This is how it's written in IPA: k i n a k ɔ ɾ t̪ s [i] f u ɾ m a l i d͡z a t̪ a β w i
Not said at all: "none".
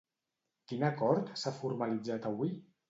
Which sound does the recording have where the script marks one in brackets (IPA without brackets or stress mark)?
a